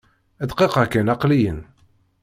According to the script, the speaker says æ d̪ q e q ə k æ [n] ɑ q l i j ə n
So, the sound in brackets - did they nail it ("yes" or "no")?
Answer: yes